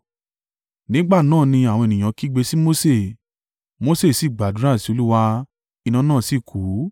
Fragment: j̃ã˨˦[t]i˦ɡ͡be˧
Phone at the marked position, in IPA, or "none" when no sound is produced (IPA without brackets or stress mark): k